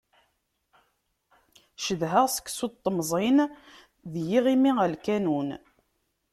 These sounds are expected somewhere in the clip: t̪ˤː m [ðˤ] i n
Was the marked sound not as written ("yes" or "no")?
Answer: yes